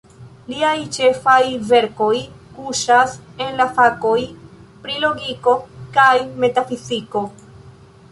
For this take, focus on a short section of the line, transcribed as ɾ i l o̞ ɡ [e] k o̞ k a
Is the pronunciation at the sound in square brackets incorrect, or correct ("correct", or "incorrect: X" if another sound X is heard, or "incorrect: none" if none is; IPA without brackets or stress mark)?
incorrect: i